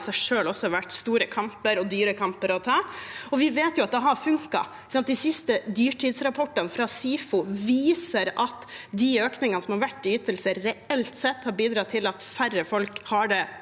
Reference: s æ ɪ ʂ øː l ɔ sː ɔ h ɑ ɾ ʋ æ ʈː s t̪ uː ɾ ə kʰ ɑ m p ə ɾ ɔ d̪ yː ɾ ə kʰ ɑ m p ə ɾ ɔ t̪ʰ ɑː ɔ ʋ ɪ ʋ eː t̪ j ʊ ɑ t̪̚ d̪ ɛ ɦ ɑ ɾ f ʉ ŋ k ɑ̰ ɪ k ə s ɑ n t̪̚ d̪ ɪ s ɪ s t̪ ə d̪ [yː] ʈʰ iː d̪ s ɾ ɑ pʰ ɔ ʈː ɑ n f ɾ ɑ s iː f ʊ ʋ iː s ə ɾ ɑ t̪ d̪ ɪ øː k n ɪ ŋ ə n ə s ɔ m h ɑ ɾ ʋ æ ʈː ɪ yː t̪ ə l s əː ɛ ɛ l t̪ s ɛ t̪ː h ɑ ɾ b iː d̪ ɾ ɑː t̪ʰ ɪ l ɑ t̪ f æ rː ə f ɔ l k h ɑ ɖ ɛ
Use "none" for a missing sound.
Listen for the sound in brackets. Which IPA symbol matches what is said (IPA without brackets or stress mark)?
yː